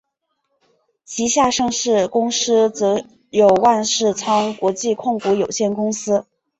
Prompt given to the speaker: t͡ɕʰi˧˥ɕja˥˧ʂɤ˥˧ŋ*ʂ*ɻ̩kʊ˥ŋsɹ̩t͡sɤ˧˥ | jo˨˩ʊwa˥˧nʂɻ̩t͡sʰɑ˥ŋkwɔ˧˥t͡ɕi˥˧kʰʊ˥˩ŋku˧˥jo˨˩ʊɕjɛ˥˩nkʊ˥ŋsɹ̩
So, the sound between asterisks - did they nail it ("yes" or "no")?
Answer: yes